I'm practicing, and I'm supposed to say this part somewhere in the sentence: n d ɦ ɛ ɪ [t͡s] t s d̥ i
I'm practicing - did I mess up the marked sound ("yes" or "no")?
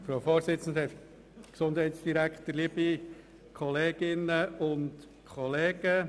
yes